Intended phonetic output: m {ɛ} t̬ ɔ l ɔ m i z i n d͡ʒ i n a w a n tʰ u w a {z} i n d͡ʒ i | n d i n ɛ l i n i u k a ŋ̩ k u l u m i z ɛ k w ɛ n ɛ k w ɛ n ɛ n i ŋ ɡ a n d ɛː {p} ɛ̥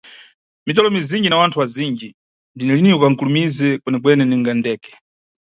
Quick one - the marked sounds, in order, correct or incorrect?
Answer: incorrect: i, correct, incorrect: k

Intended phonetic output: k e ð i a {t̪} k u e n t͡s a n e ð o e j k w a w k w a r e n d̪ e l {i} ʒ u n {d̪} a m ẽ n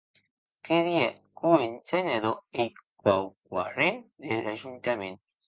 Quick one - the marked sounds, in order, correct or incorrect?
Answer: incorrect: none, incorrect: a, incorrect: t̪

